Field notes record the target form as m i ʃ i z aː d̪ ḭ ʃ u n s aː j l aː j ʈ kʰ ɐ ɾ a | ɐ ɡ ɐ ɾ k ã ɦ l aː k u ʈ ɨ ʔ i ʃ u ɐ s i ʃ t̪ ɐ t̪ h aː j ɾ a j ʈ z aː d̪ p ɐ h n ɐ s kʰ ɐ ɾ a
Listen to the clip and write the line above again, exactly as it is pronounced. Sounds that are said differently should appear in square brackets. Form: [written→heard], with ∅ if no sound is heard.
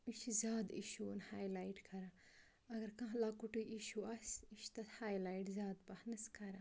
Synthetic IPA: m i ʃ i z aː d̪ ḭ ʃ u n [s→h] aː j l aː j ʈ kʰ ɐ ɾ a | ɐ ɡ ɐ ɾ k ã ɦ l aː k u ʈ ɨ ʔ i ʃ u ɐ s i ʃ t̪ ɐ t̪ h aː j [ɾ→l] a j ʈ z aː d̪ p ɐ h n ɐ s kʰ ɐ ɾ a